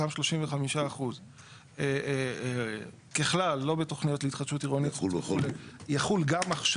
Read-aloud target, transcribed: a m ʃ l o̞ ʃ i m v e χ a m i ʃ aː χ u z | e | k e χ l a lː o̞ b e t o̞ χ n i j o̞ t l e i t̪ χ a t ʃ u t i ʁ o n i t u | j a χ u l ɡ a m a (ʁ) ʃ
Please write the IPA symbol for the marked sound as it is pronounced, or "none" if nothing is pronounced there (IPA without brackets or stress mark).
χ